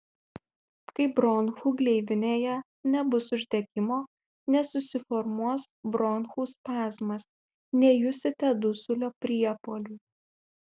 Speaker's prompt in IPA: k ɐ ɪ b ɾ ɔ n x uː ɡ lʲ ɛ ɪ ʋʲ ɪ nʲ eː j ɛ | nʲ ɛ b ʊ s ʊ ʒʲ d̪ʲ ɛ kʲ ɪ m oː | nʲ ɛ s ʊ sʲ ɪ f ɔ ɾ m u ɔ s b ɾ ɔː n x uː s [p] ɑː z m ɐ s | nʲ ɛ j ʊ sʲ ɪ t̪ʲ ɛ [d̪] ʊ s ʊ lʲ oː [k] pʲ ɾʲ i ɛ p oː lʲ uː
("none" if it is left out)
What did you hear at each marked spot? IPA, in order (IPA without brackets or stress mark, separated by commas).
p, d̪, none